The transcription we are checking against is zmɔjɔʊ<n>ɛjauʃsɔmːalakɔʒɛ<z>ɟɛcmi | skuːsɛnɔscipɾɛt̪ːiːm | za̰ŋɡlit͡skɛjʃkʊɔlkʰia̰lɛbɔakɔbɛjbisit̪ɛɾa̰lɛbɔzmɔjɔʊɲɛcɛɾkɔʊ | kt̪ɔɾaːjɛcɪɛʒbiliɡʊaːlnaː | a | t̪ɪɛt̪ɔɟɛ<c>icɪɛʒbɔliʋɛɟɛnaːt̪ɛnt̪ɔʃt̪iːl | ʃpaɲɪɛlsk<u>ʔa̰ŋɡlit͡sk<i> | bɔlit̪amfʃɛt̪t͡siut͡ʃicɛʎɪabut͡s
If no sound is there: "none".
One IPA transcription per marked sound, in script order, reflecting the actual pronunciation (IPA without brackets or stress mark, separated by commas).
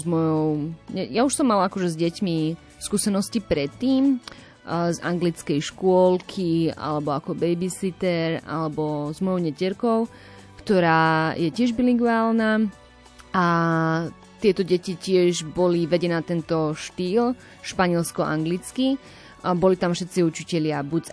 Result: ɲ, z, c, ɔ, i